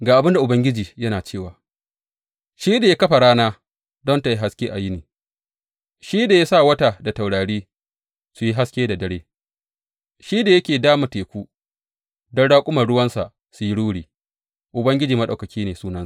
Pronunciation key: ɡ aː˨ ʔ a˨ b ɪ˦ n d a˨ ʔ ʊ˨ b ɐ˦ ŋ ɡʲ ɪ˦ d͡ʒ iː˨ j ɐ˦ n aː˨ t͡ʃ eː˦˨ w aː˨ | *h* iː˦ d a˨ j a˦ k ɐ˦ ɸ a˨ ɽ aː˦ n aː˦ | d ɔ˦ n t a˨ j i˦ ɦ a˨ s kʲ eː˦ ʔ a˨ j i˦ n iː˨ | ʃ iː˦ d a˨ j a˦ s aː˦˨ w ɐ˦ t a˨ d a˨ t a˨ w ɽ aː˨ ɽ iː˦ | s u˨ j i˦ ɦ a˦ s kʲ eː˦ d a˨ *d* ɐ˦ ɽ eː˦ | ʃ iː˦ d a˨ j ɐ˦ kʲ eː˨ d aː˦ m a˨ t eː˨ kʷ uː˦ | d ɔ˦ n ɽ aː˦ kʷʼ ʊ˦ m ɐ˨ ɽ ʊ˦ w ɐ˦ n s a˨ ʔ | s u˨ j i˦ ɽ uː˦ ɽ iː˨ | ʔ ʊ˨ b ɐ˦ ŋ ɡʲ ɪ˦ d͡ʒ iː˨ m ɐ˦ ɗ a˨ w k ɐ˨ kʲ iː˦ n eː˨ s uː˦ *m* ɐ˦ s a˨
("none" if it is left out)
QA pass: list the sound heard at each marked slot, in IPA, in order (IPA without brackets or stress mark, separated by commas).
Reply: ʃ, d, n